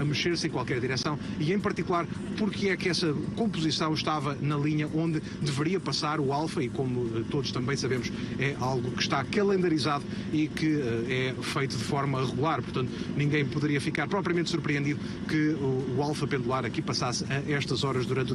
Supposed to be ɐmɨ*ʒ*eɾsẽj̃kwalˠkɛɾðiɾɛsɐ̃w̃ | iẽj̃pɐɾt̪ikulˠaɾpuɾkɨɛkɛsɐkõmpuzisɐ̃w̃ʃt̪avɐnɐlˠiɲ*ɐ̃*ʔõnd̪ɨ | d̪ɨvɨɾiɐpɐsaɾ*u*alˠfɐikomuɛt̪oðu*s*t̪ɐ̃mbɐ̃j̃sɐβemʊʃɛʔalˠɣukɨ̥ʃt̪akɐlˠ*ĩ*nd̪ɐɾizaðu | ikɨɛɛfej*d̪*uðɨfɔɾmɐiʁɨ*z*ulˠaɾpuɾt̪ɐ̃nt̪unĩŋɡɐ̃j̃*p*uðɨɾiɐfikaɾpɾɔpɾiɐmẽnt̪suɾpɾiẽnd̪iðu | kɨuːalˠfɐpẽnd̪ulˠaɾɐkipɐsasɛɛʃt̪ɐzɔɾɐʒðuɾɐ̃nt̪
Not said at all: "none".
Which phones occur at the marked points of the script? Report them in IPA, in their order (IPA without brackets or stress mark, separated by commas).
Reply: ʃ, ɐ, u, ʃ, ẽ, t̪, ɣ, p